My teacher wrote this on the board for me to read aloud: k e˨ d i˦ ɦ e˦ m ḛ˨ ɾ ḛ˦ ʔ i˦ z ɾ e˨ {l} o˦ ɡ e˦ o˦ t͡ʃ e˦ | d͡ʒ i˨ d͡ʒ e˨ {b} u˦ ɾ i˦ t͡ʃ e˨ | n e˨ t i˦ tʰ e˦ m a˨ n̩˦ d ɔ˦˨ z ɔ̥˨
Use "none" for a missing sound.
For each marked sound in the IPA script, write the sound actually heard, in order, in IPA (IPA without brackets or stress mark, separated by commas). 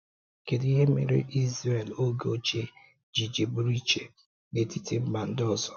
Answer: l, b